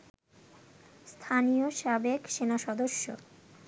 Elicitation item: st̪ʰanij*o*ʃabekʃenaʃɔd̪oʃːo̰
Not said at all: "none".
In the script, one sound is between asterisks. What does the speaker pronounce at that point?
o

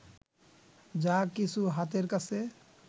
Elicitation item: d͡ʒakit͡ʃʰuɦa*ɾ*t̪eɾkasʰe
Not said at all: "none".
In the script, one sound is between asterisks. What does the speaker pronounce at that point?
none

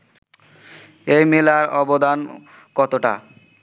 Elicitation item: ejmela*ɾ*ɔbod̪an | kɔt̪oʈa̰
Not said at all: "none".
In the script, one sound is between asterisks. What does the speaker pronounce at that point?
ɾ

